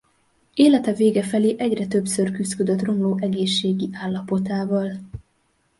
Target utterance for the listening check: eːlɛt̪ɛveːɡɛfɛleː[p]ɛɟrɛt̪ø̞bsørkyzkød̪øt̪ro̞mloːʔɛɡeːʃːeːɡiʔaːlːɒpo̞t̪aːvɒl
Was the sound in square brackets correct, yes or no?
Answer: no